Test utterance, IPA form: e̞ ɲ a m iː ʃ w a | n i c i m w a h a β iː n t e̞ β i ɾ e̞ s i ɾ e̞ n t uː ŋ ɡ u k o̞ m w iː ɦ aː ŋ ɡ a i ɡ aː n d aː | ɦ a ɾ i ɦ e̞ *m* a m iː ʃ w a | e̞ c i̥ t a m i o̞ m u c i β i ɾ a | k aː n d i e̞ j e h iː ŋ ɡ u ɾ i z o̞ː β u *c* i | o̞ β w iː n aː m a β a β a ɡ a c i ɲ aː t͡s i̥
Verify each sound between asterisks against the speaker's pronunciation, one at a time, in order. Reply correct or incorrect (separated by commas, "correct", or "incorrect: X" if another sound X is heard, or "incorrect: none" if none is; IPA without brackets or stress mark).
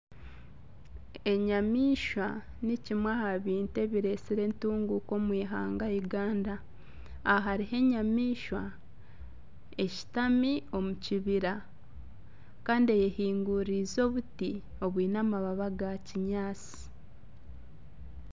incorrect: ɲ, incorrect: t